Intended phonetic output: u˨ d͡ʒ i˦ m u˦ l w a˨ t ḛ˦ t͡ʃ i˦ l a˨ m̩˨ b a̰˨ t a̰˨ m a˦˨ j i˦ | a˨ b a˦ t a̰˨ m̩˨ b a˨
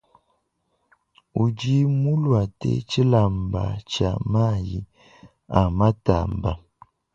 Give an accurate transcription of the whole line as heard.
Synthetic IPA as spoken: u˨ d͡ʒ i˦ m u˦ l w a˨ t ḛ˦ t͡ʃ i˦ l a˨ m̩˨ b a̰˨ t͡ʃ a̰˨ m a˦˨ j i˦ | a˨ m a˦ t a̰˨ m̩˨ b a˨